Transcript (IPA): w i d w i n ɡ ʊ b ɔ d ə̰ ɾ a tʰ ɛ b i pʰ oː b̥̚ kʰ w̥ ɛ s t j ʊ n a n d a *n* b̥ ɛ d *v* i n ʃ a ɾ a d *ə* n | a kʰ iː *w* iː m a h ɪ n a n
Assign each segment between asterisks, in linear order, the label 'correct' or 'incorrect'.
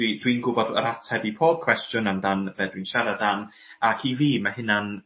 correct, incorrect, incorrect, incorrect

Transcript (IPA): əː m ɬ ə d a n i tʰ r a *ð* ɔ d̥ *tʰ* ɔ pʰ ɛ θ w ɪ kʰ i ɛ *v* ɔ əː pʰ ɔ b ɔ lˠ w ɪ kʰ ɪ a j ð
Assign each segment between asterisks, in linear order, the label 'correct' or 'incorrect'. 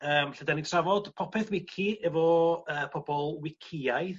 incorrect, incorrect, correct

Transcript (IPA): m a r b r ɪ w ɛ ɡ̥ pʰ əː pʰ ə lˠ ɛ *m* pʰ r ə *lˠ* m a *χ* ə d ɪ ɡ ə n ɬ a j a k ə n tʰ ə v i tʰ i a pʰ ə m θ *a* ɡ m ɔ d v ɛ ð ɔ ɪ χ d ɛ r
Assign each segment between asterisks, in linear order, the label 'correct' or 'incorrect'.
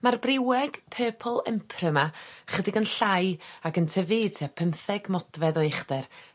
correct, incorrect, correct, incorrect

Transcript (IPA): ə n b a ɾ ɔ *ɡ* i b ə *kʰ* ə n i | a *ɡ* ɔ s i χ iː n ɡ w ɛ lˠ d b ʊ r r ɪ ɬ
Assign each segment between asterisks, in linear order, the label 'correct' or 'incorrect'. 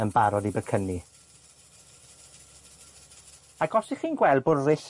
incorrect, correct, correct

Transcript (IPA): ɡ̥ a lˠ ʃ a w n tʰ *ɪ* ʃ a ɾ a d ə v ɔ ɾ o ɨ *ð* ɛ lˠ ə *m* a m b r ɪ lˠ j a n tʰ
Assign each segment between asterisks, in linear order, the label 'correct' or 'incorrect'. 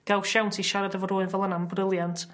incorrect, incorrect, incorrect

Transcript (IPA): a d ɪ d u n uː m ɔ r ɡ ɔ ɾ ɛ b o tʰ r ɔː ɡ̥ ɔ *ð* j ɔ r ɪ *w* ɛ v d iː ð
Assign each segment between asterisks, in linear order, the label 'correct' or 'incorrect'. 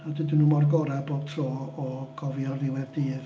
incorrect, correct

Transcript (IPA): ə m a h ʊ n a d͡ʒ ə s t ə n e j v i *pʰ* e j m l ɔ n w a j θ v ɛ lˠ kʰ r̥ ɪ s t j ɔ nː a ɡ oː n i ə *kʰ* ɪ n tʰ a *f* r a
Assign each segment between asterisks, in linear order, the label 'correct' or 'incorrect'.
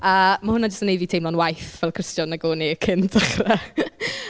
incorrect, correct, incorrect

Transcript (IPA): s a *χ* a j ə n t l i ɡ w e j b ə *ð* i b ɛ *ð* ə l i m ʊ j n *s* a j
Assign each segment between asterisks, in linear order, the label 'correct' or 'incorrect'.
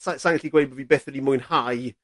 incorrect, incorrect, incorrect, incorrect

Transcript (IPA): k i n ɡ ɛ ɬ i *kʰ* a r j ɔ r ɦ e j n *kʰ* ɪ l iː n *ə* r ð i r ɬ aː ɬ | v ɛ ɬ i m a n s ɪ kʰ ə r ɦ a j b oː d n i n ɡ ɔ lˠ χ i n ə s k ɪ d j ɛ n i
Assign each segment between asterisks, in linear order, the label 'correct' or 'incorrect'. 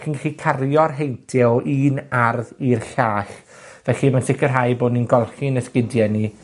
correct, incorrect, incorrect

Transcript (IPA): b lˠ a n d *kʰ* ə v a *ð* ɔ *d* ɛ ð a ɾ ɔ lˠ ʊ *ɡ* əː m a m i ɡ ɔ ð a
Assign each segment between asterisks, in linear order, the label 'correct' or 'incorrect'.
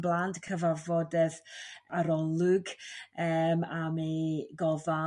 correct, incorrect, correct, correct

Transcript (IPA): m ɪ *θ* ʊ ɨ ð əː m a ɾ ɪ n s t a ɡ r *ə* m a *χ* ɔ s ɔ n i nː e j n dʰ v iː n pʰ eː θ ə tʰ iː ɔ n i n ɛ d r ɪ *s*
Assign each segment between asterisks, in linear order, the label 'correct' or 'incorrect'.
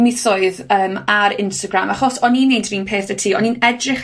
correct, incorrect, correct, incorrect

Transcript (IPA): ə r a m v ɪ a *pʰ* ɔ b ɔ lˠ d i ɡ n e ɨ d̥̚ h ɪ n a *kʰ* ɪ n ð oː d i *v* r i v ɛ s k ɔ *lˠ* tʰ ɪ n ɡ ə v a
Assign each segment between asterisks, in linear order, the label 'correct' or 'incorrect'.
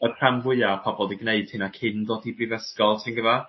correct, correct, incorrect, correct

